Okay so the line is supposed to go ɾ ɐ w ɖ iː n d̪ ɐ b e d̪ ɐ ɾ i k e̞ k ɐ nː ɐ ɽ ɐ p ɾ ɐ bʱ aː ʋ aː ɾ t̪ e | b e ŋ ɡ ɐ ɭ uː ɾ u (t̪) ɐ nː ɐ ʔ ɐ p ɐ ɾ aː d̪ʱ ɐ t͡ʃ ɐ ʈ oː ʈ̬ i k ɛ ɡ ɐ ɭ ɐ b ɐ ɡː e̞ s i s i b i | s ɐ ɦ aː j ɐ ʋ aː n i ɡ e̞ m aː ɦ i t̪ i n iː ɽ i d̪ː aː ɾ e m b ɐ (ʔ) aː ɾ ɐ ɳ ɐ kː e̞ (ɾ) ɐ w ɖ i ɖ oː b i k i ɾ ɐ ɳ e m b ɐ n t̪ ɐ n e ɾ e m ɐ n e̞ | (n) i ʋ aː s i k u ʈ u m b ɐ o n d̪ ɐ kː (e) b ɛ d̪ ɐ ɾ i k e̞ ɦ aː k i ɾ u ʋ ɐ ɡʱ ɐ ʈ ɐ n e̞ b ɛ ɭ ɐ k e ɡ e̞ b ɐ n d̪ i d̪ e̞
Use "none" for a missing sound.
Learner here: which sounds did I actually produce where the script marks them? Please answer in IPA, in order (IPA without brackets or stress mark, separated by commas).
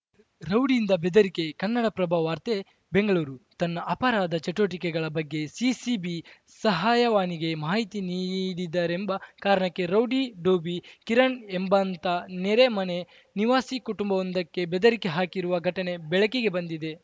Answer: t̪, k, ɾ, n, e